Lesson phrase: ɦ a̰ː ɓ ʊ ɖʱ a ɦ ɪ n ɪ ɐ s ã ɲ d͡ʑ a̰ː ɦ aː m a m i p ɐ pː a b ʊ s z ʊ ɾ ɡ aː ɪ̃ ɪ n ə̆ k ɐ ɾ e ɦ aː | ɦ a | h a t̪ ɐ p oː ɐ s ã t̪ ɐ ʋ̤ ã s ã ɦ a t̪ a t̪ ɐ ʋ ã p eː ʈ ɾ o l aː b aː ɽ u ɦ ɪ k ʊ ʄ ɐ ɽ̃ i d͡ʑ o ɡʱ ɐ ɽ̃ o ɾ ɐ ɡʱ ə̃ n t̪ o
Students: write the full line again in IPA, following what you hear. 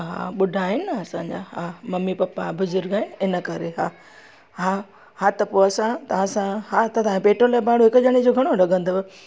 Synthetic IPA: ɦ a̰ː ɓ ʊ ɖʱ a ɦ ɪ n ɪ ɐ s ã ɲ d͡ʑ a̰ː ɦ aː m ɐ m i p ɐ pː a b ʊ z ʊ ɾ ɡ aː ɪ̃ ɪ n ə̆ k ɐ ɾ e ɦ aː | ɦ a | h a t̪ ɐ p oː ɐ s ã t̪ ɐ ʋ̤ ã s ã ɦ a t̪ ɐ t̪ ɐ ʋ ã p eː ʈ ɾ o l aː b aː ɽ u ɦ ɪ k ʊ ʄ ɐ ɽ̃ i d͡ʑ o ɡʱ ɐ ɽ̃ o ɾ ɐ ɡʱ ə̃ n d̪ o